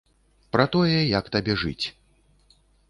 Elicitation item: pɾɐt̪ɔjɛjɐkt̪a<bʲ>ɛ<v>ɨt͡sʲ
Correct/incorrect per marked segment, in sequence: correct, incorrect: ʐ

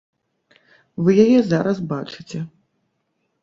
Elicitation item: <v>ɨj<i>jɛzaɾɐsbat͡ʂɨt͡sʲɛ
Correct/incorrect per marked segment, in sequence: correct, incorrect: a

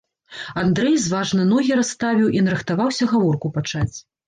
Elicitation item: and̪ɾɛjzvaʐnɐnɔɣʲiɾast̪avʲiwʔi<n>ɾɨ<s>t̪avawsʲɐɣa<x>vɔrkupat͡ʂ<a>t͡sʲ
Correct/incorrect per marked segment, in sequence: correct, incorrect: x, incorrect: none, correct

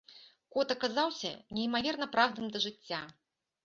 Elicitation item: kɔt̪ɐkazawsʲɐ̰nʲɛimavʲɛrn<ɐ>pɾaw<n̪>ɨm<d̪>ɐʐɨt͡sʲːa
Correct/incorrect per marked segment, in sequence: correct, incorrect: d̪, correct

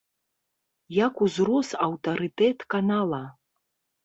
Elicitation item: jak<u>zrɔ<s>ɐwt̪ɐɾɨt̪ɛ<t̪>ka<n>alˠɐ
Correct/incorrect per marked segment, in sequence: correct, correct, correct, correct

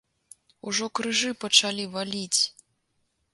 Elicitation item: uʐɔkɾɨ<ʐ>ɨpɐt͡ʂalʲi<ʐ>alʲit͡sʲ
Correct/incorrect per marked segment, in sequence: correct, incorrect: v

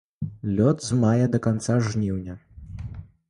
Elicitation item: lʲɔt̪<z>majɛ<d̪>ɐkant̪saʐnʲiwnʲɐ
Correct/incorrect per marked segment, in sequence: correct, correct

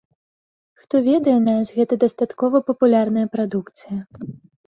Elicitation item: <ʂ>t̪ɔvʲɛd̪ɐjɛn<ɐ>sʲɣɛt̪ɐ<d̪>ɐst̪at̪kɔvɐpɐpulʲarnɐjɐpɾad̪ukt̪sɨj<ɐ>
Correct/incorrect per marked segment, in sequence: incorrect: x, incorrect: a, correct, correct

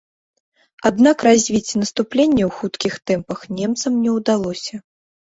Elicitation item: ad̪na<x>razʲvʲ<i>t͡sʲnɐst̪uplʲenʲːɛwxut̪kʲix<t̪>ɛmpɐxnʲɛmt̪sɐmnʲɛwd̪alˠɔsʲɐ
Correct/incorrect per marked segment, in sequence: incorrect: k, correct, correct

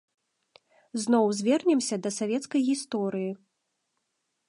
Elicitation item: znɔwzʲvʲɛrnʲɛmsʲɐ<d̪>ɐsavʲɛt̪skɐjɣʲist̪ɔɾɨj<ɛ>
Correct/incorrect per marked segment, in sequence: correct, incorrect: i

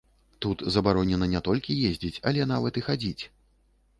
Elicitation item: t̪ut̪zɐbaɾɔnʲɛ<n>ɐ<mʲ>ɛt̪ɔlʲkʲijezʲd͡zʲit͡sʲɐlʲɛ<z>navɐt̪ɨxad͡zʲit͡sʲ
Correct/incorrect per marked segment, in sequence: correct, incorrect: nʲ, incorrect: none

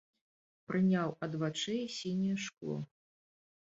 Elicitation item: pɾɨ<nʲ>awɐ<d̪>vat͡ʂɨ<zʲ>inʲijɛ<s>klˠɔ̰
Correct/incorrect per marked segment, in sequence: correct, correct, incorrect: sʲ, incorrect: ʂ

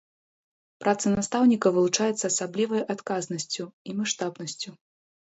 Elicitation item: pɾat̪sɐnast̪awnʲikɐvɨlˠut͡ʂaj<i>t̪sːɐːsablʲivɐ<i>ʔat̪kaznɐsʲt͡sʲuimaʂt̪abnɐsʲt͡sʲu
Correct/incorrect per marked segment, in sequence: incorrect: ɛ, incorrect: j

